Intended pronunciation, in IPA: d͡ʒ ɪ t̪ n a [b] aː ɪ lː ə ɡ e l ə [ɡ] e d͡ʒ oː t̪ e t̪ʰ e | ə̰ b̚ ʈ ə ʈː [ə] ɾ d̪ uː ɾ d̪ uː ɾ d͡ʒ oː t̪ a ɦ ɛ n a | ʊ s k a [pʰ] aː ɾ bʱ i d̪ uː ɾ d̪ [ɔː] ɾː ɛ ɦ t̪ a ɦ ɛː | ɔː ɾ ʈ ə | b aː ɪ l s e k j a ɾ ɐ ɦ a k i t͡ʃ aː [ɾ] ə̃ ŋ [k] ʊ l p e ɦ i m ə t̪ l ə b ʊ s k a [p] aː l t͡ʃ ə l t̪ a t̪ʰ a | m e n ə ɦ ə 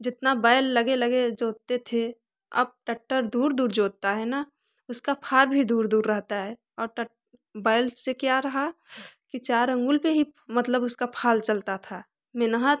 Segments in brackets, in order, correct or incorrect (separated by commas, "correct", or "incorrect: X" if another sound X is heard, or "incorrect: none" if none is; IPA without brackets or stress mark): correct, correct, correct, correct, incorrect: uː, correct, incorrect: ɡ, incorrect: pʰ